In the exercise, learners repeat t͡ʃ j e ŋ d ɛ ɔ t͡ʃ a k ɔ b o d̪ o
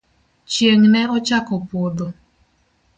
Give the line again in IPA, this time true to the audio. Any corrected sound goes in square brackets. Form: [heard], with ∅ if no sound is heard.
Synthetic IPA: t͡ʃ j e ŋ [n] ɛ ɔ t͡ʃ a k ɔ [p] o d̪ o